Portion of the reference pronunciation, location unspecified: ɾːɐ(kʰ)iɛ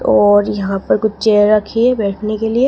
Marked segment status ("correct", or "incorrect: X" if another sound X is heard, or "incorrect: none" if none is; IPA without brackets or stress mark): correct